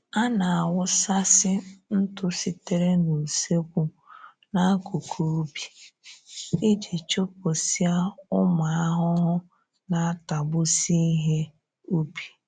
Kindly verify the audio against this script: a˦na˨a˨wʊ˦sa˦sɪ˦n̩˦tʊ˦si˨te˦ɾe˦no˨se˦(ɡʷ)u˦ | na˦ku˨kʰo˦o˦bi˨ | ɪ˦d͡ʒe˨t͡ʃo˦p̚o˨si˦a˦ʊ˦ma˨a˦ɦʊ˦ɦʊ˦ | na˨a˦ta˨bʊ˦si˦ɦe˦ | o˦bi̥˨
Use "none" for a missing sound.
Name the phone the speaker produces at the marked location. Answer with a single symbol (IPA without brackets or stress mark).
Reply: kʷ